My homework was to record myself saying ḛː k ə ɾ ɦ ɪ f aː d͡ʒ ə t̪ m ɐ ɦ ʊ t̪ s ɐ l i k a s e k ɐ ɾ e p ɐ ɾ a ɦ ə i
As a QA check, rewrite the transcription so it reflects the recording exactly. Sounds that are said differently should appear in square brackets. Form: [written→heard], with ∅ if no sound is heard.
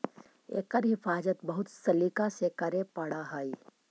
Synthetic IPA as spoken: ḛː k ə ɾ ɦ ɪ f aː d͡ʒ ə t̪ [m→b] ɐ ɦ ʊ t̪ s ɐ l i k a s e k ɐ ɾ e p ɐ [ɾ→ɽ] a ɦ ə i

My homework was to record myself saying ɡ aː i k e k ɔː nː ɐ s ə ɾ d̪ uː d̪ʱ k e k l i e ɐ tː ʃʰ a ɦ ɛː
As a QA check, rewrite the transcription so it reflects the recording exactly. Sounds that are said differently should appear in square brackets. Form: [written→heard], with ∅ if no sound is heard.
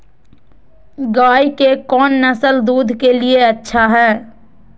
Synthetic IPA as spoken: ɡ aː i k e k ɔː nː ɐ s ə [ɾ→l] d̪ uː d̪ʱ k e [k→∅] l i e ɐ tː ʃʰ a ɦ ɛː

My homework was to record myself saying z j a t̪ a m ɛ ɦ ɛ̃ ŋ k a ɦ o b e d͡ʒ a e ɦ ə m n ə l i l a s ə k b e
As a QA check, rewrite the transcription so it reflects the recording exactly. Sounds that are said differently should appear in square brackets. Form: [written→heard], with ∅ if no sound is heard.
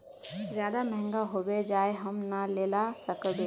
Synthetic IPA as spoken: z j a [t̪→d̪] a m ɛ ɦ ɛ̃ ŋ [k→ɡ] a ɦ o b e d͡ʒ a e ɦ ə m n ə l [i→e] l a s ə k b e

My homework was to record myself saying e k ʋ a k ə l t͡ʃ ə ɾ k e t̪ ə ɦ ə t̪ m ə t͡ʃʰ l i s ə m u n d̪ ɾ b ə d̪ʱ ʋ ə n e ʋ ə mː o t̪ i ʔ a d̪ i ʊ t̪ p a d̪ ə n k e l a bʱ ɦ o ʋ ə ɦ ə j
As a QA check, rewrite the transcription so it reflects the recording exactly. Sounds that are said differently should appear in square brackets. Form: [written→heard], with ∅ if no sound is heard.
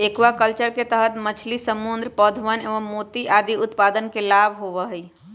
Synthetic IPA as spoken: e k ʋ a k ə l t͡ʃ ə ɾ k e t̪ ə ɦ ə t̪ m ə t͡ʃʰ l i s ə m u n d̪ ɾ [b→p] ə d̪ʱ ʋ ə n e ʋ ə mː o t̪ i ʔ a d̪ i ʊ t̪ p a d̪ ə n k e l a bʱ ɦ o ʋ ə ɦ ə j

